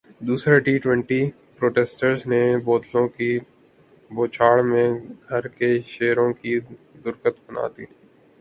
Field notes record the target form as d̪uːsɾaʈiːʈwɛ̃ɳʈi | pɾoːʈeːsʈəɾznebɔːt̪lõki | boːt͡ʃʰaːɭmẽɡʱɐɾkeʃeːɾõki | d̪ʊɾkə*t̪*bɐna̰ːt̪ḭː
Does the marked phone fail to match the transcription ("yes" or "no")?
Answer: no